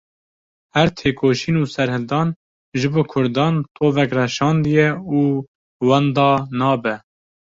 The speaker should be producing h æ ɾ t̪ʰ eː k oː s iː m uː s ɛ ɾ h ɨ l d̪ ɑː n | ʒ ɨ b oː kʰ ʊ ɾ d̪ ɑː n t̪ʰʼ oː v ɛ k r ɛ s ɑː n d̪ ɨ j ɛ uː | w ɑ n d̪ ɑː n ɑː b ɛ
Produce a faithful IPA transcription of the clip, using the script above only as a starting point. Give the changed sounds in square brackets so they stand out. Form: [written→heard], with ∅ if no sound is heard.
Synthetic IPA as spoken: h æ ɾ t̪ʰ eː k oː [s→ʃ] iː [m→n] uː s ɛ ɾ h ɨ l d̪ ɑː n | ʒ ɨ b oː kʰ ʊ ɾ d̪ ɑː n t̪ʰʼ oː v ɛ k r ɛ [s→ʃ] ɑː n d̪ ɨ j ɛ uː | w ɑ n d̪ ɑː n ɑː b ɛ